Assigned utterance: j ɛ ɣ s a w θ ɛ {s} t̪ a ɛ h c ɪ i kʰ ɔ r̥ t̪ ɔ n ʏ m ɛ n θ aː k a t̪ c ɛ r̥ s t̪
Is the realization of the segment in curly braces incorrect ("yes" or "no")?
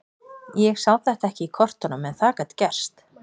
yes